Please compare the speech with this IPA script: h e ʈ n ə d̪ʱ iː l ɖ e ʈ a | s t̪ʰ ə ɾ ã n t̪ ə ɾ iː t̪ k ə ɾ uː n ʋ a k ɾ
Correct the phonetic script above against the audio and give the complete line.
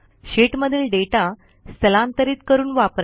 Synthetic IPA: ɕ e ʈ m ə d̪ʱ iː l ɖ e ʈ a | s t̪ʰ ə l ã n t̪ ə ɾ iː t̪ k ə ɾ uː n ʋ a p ɾ

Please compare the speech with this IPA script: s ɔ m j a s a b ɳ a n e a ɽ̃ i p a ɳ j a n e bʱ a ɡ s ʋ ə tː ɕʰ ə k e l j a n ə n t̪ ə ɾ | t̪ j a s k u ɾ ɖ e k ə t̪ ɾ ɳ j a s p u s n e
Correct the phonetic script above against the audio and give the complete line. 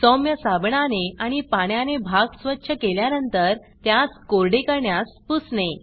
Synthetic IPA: s ɔ m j ə s a b ɳ a n e a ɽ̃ i p a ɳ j a n e bʱ a ɡ s ʋ ə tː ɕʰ ə k e l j a n ə n t̪ ə ɾ | t̪ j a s k o ɾ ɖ e k ə ɾ ɳ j a s p u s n e

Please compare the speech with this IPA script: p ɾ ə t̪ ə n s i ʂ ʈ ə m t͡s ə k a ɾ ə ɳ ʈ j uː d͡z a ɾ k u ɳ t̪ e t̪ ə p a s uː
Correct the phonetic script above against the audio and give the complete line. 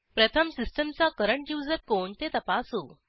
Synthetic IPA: p ɾ ə t̪ʰ ə m s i s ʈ ə m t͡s a k ə ɾ ə ɳ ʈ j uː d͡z ə ɾ k o ɳ t̪ e t̪ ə p a s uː

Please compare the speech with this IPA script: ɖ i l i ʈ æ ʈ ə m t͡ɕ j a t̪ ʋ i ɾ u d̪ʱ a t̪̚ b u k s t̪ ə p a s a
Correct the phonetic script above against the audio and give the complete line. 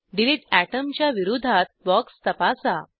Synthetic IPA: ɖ i l i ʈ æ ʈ ə m t͡ɕ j a ʋ i ɾ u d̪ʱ a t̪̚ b ɔ k s t̪ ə p a s a

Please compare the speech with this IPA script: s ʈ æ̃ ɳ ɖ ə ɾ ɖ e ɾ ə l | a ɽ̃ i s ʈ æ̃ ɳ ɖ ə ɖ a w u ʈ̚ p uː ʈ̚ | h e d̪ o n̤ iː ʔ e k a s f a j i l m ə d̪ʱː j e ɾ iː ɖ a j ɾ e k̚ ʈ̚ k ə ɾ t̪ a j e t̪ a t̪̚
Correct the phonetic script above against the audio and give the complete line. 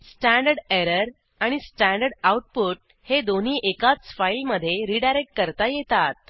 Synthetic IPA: s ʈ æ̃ ɳ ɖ ə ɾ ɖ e ɾ ə ɾ | a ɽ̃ i s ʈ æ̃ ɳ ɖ ə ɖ a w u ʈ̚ p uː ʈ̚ | h e d̪ o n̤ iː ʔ e k a t͡s f a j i l m ə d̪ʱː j e ɾ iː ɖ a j ɾ e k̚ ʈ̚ k ə ɾ t̪ a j e t̪ a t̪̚

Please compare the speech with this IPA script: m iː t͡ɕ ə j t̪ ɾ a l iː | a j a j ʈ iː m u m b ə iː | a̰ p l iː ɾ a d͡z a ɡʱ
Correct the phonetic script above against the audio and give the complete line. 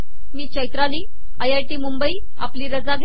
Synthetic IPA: m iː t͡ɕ ə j t̪ ɾ a l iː | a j a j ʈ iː m u m b ə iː | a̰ p l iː ɾ ə d͡z a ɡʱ

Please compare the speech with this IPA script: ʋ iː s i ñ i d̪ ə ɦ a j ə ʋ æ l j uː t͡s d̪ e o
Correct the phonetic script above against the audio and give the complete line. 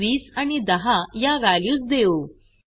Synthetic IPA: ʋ iː s a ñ i d̪ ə ɦ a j a ʋ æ l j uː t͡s d̪ e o

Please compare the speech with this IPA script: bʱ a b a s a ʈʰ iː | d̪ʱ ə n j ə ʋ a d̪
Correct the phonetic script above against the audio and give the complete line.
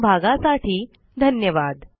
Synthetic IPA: bʱ a ɡ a s a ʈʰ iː | d̪ʱ ə n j ə ʋ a d̪

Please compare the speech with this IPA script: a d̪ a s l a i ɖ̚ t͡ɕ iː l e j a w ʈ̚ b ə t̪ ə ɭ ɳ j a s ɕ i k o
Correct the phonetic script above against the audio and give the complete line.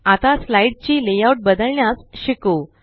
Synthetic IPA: a t̪ a s l a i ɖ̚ t͡ɕ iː l e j a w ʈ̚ b ə d̪ ə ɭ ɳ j a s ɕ i k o

